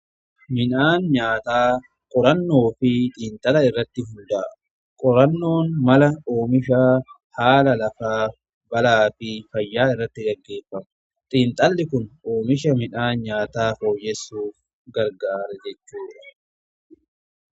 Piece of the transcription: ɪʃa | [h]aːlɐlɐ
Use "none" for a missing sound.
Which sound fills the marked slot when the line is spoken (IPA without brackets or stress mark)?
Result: h